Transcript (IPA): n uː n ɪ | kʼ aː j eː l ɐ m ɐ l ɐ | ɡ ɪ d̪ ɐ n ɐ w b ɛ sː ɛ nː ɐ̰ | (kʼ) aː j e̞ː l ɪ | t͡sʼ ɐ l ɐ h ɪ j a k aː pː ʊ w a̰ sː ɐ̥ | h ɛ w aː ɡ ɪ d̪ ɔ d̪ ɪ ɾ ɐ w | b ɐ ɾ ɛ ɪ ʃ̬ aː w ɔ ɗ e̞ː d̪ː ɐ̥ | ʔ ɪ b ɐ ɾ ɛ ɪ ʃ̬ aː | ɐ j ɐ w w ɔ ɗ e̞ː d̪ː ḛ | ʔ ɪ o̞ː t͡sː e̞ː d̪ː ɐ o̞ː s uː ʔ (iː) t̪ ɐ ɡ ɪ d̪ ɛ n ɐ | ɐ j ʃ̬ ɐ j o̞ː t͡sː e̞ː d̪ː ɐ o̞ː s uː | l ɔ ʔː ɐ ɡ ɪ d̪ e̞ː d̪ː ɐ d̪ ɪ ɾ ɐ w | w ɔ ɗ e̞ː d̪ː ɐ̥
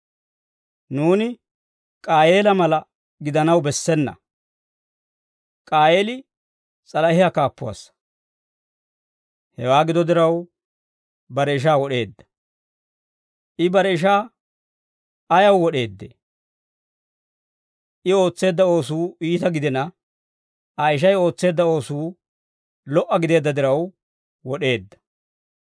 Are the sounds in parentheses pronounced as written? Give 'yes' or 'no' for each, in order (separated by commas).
yes, yes